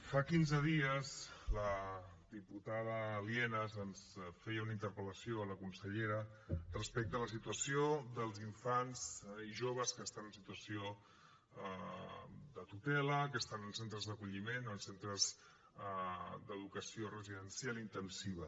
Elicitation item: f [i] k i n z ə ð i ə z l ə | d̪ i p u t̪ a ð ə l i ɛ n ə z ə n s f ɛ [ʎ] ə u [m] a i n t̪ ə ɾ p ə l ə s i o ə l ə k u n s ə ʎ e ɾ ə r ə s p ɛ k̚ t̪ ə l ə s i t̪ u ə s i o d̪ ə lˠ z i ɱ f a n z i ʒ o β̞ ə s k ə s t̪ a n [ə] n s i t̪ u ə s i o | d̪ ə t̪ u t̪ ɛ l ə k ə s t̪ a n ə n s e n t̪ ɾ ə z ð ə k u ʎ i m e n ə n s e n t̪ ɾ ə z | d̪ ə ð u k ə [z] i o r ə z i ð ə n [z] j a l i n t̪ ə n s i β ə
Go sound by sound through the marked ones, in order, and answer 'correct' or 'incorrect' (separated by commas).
incorrect, incorrect, incorrect, correct, incorrect, incorrect